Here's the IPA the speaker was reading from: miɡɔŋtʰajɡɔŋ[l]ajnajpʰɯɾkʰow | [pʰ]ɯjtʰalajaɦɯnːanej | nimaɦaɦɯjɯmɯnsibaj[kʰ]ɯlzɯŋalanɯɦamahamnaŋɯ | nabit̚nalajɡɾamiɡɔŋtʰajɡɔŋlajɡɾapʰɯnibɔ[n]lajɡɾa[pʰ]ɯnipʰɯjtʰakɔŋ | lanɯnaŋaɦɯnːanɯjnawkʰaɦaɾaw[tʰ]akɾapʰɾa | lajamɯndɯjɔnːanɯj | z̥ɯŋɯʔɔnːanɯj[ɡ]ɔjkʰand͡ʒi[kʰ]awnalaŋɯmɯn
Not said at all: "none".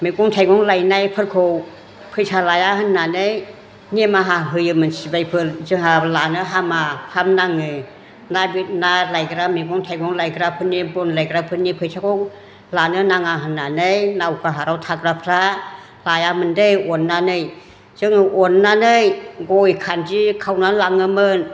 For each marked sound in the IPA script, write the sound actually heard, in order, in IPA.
l, pʰ, pʰ, n, pʰ, tʰ, ɡ, kʰ

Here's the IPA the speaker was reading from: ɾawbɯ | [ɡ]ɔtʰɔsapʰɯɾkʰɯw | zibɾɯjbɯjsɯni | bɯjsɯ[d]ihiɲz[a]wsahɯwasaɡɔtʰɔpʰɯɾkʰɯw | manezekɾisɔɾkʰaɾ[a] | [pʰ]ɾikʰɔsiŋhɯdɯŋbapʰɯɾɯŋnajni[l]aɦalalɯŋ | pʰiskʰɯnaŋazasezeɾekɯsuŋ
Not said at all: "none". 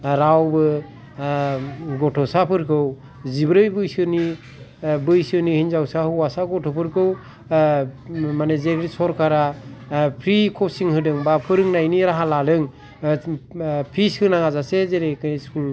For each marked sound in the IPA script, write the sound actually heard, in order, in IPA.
ɡ, n, a, a, pʰ, ɾ

